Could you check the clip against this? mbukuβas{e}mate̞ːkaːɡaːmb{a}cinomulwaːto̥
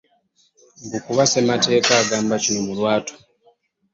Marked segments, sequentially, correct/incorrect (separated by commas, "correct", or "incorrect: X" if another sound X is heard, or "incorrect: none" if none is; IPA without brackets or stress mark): correct, correct